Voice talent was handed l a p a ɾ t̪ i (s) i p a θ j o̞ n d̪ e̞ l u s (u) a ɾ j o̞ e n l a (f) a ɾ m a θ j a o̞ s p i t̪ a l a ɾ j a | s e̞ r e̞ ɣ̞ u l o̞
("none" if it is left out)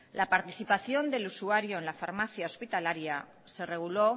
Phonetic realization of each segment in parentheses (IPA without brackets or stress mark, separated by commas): θ, u, f